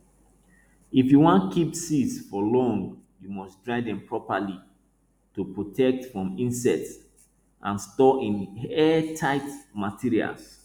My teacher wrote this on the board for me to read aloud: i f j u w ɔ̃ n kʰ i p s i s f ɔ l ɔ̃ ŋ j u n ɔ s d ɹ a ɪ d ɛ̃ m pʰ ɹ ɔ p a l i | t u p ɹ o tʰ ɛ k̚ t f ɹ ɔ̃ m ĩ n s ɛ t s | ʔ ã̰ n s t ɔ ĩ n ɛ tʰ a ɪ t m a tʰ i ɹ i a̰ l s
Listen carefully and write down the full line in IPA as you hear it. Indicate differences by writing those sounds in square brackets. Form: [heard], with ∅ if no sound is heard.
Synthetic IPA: i f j u w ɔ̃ n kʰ i p s i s f ɔ l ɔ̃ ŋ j u [m] ɔ s d ɹ a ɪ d ɛ̃ m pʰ ɹ ɔ p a l i | t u p ɹ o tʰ ɛ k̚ t f ɹ ɔ̃ m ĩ n s ɛ t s | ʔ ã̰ n s t ɔ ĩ n ɛ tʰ a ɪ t m a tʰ i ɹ i a̰ l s